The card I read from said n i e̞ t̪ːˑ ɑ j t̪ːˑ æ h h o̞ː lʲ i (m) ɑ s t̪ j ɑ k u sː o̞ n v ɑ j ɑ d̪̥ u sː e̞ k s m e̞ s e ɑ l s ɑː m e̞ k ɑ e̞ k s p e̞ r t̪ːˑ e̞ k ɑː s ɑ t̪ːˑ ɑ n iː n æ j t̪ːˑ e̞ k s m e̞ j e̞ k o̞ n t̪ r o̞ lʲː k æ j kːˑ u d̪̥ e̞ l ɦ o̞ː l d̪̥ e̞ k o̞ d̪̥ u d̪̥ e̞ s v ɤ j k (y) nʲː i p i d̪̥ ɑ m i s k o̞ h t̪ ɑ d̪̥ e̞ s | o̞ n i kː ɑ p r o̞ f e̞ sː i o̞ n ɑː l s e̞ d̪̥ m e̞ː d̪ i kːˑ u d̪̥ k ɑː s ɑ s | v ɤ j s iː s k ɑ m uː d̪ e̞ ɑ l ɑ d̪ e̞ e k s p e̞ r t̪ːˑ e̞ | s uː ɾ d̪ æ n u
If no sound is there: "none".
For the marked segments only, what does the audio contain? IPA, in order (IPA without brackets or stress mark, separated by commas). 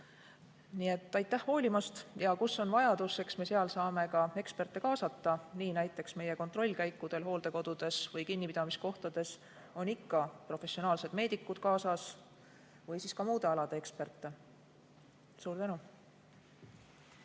m, i